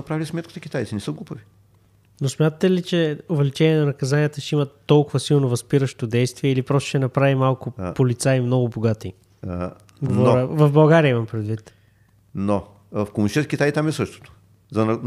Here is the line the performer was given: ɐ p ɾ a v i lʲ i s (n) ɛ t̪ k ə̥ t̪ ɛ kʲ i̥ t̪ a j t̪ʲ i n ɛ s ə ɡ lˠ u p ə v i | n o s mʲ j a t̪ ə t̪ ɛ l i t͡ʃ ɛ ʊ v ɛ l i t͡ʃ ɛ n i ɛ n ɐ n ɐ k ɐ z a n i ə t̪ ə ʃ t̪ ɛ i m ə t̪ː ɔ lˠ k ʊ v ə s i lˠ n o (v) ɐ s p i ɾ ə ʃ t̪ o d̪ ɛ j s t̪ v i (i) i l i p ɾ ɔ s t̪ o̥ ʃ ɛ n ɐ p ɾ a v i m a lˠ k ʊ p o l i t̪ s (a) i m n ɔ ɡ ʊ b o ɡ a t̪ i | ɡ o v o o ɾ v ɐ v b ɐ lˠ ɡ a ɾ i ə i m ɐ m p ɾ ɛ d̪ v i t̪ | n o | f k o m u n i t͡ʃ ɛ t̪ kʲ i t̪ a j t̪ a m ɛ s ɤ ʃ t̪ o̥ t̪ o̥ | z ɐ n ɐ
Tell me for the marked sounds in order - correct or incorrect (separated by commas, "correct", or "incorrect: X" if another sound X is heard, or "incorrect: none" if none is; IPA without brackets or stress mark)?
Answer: incorrect: m, correct, incorrect: ɛ, correct